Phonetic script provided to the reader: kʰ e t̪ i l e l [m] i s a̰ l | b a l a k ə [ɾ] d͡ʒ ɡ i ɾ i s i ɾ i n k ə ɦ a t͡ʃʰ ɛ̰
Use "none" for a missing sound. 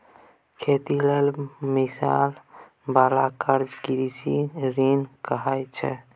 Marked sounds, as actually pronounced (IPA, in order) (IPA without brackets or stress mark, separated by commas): m, ɾ